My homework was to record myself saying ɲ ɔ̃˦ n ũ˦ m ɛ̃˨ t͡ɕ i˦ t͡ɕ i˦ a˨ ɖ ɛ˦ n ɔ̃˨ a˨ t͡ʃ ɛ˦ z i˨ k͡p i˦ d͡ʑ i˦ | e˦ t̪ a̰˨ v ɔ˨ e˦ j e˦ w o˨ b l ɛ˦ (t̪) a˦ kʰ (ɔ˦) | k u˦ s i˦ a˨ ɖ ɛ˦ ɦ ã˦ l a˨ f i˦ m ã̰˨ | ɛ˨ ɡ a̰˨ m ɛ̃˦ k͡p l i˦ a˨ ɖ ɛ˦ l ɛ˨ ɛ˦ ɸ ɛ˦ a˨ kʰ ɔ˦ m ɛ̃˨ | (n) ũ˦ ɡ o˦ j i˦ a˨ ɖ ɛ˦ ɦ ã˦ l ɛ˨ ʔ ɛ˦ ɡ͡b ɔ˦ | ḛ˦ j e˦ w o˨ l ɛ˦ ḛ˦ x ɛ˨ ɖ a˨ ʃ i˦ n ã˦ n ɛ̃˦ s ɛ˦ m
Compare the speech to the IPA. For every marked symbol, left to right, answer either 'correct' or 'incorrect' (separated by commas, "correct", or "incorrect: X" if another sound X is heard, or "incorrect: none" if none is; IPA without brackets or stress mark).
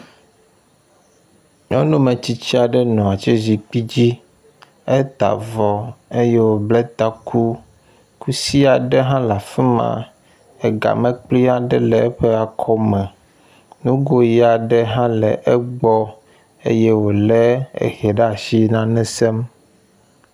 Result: correct, incorrect: u˦, correct